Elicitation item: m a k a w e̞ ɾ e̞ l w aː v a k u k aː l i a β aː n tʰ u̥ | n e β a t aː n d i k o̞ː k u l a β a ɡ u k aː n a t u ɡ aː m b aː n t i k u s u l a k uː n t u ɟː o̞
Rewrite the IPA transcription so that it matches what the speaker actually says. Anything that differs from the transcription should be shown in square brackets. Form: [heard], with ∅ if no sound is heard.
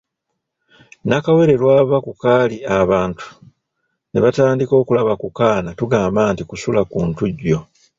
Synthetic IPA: [n] a k a w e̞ ɾ e̞ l w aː [β] a k u k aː l i a β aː n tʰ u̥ | n e β a t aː n d i k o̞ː k u l a β a [k] u k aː n a t u ɡ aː m b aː n t i k u s u l a k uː n t u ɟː o̞